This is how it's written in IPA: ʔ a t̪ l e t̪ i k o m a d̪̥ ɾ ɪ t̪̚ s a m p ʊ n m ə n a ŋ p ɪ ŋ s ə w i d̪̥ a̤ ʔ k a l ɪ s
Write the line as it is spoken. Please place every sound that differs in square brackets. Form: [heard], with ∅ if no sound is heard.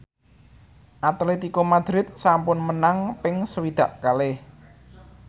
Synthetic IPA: ʔ a t̪ l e t̪ i k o m a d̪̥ ɾ ɪ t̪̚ s a m p ʊ n m ə n a ŋ p ɪ ŋ s ə w i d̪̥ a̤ ʔ k a l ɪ [h]